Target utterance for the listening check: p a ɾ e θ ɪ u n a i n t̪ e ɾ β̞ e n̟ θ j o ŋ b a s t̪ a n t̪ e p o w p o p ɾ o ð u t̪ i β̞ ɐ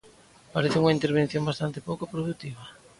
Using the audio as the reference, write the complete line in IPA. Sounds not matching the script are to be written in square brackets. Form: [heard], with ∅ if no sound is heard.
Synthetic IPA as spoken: p a ɾ e θ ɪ u [ŋ] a i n t̪ e ɾ β̞ e n̟ θ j o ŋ b a s t̪ a n t̪ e p o w [k] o p ɾ o ð u t̪ i β̞ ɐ